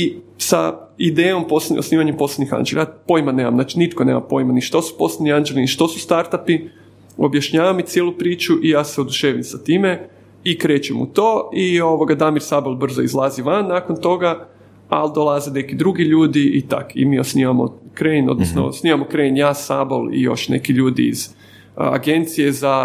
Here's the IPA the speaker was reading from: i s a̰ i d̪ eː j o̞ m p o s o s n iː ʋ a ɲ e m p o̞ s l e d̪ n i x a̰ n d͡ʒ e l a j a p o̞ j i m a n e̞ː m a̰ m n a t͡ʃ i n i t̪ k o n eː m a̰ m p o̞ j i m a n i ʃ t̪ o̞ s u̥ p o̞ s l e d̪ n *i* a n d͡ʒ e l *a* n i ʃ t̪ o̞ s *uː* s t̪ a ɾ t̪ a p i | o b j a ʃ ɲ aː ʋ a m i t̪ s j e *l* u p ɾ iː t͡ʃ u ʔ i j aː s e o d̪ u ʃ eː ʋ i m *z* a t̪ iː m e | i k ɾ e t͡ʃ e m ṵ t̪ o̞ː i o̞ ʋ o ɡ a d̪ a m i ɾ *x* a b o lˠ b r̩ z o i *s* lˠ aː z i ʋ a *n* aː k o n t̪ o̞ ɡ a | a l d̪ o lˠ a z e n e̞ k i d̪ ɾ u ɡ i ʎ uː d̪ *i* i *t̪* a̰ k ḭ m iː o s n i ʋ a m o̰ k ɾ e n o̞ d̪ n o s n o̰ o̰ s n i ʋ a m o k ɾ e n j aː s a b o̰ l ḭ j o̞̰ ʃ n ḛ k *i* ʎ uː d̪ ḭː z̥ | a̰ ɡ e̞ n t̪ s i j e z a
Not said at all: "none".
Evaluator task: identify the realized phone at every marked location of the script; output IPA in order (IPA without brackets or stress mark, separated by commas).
i, i, u, l, s, s, z, nː, i, t̪, i